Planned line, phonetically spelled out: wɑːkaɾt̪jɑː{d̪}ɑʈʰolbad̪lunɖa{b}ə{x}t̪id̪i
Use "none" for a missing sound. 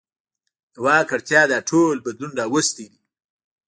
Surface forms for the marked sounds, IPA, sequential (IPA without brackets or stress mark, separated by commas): d̪, w, s